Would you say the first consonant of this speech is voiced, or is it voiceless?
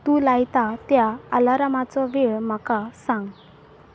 voiceless